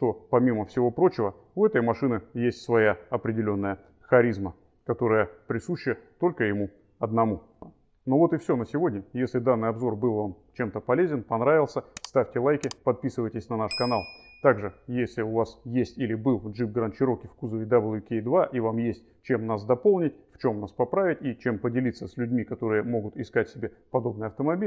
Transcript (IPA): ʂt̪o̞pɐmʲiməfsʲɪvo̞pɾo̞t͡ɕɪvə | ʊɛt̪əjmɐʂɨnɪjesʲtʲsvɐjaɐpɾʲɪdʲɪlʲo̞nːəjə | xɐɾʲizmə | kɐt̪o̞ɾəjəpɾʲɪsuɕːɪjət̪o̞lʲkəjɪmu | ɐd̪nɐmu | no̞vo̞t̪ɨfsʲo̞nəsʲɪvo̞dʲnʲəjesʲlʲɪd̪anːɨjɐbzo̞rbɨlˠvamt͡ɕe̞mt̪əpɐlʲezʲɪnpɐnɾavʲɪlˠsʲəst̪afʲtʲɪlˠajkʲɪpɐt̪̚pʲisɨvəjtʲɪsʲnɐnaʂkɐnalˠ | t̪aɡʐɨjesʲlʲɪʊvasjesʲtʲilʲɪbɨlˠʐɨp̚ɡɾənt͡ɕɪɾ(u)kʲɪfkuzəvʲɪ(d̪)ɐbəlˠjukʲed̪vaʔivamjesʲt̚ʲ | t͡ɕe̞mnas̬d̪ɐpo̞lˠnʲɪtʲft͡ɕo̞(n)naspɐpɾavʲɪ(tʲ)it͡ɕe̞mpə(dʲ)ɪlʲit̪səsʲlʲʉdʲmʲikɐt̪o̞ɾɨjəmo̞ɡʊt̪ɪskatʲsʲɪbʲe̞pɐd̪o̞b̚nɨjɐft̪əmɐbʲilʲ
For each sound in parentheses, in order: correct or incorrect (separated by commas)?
incorrect, correct, incorrect, correct, correct